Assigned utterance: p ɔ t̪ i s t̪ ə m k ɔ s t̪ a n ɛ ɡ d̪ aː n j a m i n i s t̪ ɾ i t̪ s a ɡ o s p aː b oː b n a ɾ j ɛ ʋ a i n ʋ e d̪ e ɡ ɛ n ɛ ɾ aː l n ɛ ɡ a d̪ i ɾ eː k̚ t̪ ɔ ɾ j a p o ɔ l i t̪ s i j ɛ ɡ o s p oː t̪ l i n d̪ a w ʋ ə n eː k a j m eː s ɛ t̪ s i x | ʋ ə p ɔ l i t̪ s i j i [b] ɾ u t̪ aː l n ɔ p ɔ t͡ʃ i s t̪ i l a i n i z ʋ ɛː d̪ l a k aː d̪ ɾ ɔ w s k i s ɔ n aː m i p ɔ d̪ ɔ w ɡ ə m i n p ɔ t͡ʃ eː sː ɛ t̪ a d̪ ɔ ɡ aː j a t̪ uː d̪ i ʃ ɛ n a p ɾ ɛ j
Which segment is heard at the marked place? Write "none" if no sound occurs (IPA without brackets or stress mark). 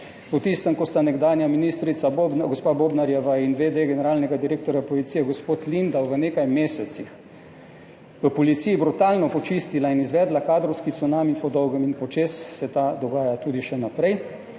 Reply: b